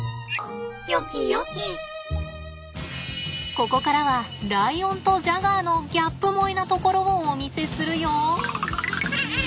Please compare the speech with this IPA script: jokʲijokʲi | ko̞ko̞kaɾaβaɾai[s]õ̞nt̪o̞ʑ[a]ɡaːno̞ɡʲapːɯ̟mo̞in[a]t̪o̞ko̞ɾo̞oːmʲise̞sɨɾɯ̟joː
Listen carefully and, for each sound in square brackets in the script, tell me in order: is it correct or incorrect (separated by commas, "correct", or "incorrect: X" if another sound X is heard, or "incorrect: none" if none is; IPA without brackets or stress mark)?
incorrect: none, correct, correct